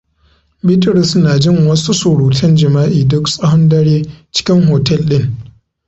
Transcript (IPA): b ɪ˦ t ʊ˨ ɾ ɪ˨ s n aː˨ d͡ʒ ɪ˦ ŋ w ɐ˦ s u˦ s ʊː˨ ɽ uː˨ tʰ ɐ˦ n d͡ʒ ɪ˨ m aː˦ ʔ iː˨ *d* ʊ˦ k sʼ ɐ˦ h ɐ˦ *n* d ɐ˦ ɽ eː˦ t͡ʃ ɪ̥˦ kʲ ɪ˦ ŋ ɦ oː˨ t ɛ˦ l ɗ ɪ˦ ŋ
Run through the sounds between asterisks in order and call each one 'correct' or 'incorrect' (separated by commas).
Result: correct, correct